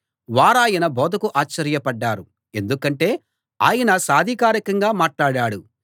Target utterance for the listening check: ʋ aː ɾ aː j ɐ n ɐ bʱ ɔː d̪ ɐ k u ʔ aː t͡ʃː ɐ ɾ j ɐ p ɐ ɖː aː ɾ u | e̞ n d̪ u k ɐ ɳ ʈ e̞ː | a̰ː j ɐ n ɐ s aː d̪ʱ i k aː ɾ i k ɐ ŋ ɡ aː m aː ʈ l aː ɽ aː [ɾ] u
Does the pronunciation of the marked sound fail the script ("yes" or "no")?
yes